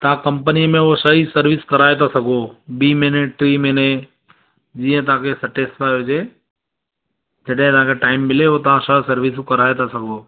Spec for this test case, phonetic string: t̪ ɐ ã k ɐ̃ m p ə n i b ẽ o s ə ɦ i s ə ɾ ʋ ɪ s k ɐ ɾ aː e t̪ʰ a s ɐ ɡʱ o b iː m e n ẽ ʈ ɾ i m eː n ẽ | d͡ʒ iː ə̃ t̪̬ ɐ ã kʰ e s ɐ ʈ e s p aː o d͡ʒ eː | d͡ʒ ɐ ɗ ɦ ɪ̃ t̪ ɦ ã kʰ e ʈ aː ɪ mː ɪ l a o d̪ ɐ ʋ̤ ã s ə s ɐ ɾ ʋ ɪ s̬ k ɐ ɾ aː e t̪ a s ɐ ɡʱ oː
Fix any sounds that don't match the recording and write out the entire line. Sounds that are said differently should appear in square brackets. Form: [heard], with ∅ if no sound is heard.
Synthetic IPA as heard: t̪ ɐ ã k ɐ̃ m p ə n i [m] ẽ o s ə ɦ i s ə ɾ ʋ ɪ s k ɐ ɾ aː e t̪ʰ a s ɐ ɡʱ o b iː m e n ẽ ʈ ɾ i m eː n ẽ | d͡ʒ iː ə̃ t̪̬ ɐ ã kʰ e s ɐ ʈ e s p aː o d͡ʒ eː | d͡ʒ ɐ ɗ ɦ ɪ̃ t̪ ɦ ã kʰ e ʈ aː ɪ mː ɪ l [e] o [t̪] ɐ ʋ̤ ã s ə s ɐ ɾ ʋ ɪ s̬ k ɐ ɾ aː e t̪ a s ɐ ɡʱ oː